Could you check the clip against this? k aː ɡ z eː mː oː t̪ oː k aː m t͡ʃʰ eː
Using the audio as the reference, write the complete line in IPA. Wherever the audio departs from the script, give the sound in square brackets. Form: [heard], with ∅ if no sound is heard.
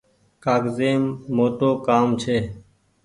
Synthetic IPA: k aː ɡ z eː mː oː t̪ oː k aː m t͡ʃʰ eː